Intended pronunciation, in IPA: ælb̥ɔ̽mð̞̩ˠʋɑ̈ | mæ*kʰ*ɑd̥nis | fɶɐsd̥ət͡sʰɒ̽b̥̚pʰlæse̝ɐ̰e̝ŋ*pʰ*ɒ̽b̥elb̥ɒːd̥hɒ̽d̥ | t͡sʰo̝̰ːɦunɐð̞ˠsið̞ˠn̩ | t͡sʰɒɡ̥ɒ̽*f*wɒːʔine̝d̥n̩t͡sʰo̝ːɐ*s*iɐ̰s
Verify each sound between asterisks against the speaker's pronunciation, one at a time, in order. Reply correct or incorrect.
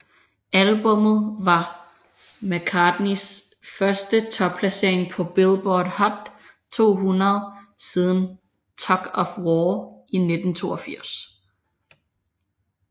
correct, correct, correct, incorrect: f

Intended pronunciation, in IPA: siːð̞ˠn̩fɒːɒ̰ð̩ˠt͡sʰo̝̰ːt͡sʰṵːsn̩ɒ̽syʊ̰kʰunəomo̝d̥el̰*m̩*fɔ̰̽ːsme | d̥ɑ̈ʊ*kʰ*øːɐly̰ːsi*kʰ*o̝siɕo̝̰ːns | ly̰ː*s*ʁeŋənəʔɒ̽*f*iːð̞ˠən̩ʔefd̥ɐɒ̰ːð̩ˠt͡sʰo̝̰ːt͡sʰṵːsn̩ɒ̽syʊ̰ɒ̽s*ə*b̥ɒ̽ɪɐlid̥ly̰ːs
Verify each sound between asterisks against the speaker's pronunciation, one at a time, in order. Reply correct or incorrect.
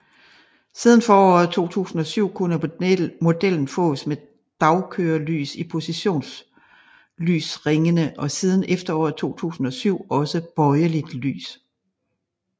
incorrect: n̩, correct, incorrect: pʰ, correct, incorrect: s, correct

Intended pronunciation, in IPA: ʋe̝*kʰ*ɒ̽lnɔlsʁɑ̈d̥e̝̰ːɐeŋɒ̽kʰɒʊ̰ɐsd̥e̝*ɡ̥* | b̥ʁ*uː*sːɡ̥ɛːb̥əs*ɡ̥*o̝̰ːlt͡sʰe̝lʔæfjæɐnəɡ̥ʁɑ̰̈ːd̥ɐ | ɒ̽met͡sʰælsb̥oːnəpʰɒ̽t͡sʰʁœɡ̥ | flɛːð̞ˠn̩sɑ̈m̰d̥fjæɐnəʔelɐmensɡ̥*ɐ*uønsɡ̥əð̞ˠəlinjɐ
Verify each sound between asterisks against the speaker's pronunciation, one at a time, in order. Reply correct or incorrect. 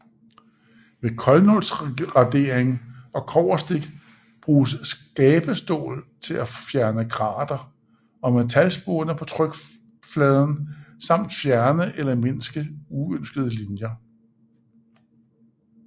correct, correct, correct, incorrect: d̥, incorrect: ə

